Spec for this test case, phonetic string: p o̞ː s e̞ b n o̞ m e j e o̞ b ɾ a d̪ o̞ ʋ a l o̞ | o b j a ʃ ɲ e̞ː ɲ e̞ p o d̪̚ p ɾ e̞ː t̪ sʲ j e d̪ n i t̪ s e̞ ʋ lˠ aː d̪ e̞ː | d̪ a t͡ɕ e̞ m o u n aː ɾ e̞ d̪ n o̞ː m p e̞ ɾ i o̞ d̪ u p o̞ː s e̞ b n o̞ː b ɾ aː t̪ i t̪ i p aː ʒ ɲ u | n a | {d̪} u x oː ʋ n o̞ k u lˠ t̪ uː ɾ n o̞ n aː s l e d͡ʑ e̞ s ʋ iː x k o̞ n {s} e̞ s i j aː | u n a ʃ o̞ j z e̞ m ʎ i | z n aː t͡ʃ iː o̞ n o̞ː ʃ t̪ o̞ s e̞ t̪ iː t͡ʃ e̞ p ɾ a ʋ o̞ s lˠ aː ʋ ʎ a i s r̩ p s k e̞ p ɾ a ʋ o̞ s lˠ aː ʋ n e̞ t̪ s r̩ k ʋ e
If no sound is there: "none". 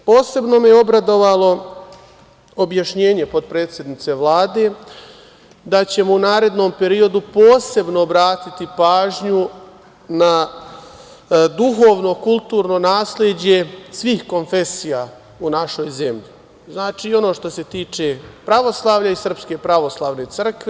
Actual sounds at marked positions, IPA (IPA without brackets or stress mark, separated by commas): d̪, f